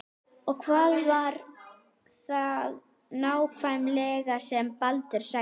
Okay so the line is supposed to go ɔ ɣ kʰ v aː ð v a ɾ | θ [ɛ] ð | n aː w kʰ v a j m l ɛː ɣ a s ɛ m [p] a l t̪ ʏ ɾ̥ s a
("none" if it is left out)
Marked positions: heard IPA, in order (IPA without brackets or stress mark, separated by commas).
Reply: a, p